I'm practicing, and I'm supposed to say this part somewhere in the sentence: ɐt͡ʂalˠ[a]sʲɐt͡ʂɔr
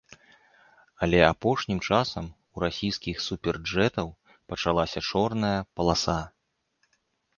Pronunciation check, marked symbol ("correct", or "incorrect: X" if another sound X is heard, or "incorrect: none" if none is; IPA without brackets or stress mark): correct